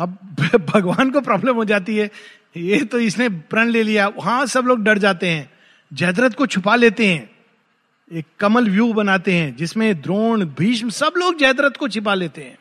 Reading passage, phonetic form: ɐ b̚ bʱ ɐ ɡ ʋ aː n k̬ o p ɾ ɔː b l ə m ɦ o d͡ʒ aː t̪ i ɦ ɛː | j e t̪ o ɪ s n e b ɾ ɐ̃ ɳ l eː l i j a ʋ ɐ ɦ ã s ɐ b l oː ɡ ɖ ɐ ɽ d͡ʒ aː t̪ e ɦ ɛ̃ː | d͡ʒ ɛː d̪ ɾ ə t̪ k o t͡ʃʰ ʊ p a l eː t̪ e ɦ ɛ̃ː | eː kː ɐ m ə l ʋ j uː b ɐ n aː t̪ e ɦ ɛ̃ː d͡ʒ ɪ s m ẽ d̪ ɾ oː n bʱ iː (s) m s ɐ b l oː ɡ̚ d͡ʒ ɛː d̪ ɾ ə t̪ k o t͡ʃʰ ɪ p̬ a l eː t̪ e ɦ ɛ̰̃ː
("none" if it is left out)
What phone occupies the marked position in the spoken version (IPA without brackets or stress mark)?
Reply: ʃ